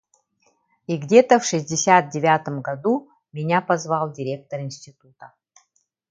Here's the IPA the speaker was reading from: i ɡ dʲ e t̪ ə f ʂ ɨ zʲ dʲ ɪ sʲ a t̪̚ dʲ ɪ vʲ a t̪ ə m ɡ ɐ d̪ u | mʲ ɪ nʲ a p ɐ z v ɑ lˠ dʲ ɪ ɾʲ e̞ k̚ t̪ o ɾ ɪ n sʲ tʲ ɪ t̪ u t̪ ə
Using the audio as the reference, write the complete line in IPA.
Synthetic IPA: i ɡ dʲ e t̪ ə f ʂ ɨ zʲ dʲ ɪ sʲ a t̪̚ dʲ ɪ vʲ a t̪ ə m ɡ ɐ d̪ u | mʲ ɪ nʲ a p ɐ z v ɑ lˠ dʲ ɪ ɾʲ e̞ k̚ t̪ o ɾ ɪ n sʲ tʲ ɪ t̪ u t̪ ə